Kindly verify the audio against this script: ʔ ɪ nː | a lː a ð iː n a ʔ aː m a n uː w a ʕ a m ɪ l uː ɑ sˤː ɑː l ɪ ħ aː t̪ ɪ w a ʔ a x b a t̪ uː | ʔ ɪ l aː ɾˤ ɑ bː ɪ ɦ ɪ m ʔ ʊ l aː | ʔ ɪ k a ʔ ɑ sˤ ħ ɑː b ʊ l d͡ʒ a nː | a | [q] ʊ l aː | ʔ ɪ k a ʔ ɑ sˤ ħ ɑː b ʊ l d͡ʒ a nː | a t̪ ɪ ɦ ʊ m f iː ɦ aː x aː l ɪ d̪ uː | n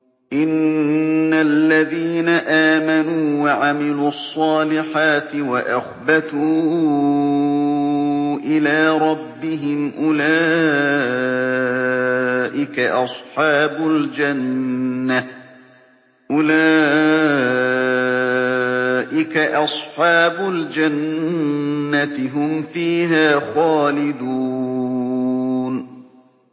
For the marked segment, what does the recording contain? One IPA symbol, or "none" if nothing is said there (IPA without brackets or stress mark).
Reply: ʔ